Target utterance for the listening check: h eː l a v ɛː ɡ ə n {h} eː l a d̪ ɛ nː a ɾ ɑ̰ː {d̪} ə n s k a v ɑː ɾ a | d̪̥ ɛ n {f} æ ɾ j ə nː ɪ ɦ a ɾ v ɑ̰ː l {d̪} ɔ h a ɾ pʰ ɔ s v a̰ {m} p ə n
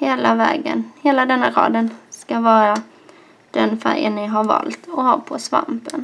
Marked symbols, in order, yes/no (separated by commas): yes, yes, yes, no, yes